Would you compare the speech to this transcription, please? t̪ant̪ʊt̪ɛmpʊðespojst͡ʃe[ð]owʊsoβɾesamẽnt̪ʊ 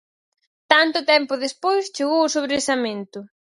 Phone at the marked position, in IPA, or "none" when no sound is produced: ɣ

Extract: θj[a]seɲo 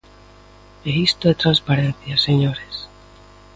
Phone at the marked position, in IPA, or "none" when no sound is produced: a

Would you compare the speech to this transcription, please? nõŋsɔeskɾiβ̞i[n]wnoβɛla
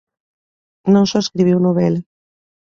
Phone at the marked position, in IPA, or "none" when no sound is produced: none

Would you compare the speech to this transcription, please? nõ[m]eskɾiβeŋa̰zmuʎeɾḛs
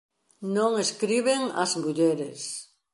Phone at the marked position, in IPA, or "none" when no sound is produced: ŋ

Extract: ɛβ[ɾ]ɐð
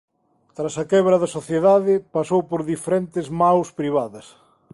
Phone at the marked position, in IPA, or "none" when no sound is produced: ɾ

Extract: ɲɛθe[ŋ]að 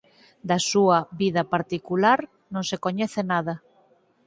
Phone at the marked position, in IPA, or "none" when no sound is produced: n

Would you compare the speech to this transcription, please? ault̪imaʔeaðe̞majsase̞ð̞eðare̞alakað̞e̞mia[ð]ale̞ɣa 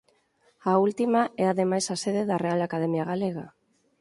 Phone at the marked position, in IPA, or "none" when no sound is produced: ɣ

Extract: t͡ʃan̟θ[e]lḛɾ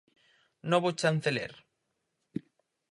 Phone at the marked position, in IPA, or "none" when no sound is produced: e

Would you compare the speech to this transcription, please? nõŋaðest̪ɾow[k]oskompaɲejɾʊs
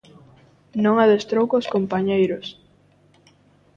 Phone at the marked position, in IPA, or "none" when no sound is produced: k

